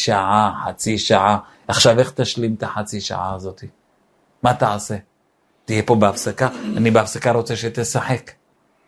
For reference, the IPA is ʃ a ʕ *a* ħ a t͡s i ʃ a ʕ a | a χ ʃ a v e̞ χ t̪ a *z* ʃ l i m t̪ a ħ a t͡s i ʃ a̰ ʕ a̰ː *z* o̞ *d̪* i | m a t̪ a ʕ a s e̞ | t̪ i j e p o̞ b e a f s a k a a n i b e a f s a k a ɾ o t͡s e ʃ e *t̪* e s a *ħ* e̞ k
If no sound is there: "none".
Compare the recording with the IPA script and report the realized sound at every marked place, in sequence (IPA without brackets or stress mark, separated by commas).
a, none, z, t̪, t̪, ħ